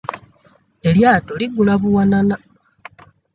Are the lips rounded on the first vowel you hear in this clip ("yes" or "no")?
no